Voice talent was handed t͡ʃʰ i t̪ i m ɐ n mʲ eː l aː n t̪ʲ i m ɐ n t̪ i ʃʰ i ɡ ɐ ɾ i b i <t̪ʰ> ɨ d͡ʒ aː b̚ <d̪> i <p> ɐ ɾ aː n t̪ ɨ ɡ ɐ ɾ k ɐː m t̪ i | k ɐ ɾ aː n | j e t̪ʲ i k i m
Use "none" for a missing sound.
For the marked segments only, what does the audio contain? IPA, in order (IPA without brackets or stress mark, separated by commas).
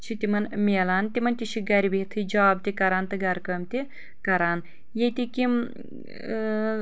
t̪ʰ, t̪, k